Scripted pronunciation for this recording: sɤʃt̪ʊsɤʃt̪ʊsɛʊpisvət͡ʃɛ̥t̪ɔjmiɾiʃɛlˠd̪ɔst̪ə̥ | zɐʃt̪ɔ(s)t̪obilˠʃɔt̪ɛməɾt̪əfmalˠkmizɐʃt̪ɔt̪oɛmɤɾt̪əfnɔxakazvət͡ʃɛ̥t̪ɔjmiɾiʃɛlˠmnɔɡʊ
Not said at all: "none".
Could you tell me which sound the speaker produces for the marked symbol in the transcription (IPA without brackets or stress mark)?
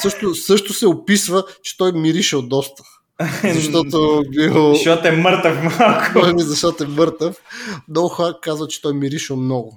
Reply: none